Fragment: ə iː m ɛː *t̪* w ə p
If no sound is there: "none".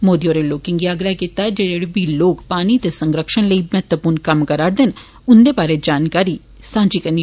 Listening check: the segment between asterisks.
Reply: t̪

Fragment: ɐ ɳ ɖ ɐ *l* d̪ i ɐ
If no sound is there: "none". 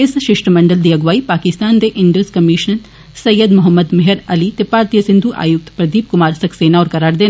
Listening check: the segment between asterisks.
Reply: l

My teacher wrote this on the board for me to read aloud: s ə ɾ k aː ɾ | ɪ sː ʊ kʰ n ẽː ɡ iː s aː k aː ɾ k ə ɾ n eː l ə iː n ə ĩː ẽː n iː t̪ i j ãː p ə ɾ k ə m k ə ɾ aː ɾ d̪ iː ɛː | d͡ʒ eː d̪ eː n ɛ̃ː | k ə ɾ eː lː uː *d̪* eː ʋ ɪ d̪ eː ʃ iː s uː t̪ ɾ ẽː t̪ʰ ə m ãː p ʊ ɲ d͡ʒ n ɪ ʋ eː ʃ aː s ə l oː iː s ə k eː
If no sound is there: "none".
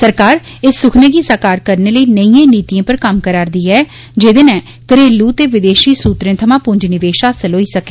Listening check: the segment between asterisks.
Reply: t̪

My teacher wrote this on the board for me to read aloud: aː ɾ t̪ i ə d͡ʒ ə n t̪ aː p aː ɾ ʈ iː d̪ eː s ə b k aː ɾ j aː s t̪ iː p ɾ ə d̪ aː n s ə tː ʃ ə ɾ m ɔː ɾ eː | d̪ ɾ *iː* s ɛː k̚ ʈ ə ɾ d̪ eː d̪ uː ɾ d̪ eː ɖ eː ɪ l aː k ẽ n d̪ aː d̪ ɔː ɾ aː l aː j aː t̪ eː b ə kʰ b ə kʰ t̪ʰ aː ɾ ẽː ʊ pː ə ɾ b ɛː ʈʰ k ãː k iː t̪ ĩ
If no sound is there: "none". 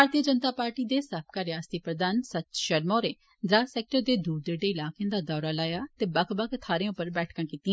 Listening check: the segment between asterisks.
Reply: aː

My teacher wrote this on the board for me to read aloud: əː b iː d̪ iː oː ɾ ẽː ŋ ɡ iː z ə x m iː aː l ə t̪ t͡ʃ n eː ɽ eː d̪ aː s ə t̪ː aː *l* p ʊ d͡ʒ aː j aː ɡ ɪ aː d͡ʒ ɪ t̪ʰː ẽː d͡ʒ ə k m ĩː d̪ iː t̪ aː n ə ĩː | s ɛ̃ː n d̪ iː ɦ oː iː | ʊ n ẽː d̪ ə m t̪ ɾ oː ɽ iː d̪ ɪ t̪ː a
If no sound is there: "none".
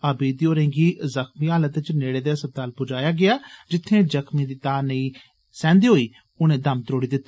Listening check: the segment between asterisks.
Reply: l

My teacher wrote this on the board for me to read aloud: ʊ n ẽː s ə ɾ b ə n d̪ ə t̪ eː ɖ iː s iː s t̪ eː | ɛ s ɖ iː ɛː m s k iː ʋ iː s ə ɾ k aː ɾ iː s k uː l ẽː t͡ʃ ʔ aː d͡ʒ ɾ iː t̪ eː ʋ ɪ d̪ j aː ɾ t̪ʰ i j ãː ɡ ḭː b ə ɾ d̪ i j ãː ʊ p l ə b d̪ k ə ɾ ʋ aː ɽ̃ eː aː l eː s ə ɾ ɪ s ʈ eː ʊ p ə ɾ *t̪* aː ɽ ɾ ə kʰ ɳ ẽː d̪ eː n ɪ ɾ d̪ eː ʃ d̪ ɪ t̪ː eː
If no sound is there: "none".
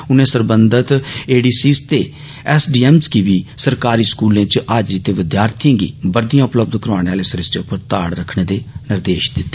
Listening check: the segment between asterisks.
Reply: t̪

